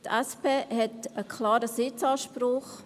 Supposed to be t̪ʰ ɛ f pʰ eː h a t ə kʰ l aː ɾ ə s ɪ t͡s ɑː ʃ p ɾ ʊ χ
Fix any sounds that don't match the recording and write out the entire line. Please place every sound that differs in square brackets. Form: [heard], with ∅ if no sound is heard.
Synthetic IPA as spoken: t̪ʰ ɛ [s] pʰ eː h [ɛ] t ə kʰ l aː ɾ ə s ɪ t͡s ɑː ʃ p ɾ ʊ χ